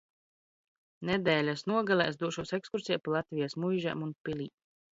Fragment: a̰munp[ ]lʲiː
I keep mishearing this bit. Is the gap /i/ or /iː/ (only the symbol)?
i